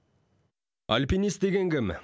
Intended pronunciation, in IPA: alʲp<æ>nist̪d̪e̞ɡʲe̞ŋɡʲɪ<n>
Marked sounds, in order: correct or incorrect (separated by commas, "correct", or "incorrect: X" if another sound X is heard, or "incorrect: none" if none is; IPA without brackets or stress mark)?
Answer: incorrect: i, incorrect: m